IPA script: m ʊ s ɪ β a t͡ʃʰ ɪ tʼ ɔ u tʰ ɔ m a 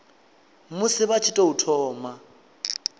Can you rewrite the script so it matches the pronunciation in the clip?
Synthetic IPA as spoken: m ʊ s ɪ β a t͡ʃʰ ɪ tʼ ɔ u tʰ ɔː m a